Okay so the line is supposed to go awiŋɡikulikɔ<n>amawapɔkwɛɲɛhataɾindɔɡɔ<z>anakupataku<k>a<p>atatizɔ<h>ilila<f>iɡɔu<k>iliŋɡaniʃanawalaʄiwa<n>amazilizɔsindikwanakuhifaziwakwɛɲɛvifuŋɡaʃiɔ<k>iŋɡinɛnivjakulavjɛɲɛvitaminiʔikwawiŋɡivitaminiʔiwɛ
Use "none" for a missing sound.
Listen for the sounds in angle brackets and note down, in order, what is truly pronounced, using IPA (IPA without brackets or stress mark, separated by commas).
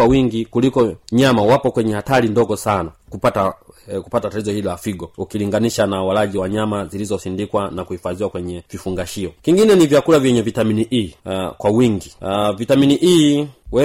ɲ, s, p, t, h, f, k, ɲ, k